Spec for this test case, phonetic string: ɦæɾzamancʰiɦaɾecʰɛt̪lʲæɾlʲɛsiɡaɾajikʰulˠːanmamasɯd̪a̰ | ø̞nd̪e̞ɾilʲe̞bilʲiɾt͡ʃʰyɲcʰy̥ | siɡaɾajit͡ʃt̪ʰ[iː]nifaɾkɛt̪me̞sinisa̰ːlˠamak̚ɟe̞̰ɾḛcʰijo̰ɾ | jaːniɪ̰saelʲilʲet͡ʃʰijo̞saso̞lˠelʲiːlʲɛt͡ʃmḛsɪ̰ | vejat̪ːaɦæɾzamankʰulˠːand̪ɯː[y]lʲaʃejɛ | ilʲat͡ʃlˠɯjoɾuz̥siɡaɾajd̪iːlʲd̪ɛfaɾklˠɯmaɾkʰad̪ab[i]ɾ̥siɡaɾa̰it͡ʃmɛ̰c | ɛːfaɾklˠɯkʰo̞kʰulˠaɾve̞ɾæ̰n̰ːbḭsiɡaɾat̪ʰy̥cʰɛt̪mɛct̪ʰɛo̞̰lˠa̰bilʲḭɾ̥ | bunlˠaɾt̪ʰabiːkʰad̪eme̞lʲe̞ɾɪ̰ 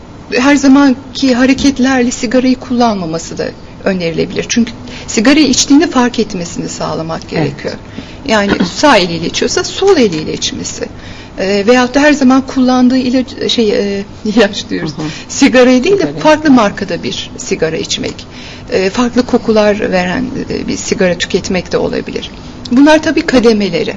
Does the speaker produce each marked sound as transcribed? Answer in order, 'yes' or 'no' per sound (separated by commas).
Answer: yes, no, yes